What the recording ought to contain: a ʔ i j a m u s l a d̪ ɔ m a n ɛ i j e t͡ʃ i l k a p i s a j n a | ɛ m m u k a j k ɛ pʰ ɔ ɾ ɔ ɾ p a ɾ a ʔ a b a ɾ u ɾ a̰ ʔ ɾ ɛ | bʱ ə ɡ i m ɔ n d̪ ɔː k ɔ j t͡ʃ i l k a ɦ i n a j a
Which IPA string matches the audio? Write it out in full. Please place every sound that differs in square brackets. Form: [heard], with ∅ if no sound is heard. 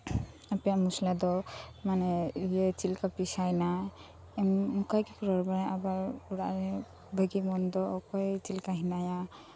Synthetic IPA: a [p] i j a m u s l a d̪ ɔ m a n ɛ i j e t͡ʃ i l k a p i s a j n a | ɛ m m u k a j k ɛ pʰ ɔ ɾ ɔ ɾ [b] a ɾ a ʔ a b a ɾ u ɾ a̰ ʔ ɾ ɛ | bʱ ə ɡ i m ɔ n d̪ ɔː k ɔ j t͡ʃ i l k a ɦ i n a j a